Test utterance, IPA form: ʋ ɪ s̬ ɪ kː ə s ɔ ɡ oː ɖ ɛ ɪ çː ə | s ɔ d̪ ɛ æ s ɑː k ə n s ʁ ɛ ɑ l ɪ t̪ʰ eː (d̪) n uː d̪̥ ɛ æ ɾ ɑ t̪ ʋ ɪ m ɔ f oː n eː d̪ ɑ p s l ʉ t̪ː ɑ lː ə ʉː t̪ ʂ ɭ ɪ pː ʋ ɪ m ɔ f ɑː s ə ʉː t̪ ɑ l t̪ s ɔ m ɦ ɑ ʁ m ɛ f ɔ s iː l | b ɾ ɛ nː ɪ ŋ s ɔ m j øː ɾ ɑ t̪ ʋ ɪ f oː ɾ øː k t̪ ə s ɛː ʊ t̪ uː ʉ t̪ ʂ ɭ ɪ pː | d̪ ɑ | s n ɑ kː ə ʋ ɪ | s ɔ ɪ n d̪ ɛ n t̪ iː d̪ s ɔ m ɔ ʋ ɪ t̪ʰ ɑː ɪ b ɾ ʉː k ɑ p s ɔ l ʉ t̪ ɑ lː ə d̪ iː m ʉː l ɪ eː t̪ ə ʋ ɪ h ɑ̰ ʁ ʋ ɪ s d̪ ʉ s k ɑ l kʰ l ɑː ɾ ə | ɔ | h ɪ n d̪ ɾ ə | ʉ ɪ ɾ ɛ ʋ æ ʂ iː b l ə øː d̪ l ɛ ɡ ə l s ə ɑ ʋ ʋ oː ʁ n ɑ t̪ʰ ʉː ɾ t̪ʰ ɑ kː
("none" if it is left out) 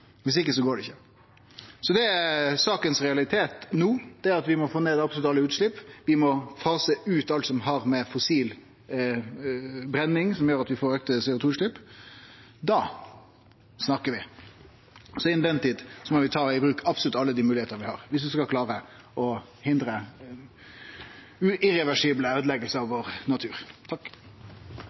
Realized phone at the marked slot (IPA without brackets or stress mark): t̪